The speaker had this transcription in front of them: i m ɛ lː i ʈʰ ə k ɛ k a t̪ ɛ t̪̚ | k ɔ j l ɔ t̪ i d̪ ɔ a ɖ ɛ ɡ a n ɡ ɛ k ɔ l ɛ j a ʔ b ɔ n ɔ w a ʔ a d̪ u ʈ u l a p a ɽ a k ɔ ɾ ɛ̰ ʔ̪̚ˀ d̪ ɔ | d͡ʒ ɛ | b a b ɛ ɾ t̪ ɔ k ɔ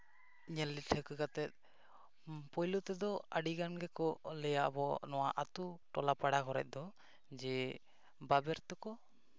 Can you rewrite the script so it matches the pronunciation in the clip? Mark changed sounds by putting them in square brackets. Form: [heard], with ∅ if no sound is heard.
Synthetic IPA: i [ɲ] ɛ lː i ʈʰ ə k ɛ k a t̪ ɛ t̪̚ | [p] ɔ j l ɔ t̪ [ɛ] d̪ ɔ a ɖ [i] ɡ a n ɡ ɛ k ɔ l ɛ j a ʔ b ɔ n ɔ w a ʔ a [t̪] u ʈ [ɔ] l a p a ɽ a k ɔ ɾ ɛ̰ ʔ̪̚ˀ d̪ ɔ | d͡ʒ ɛ | b a b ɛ ɾ t̪ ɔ k ɔ